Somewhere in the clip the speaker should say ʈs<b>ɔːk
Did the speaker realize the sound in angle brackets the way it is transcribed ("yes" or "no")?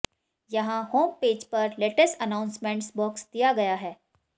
yes